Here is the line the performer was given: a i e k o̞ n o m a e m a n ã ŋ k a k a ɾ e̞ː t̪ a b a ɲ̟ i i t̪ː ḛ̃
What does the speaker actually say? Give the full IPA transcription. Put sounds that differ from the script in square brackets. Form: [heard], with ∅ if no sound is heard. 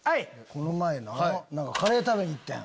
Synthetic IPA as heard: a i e k o̞ n o m a e [n] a n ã ŋ k a k a ɾ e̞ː t̪ a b [e] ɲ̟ i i t̪ː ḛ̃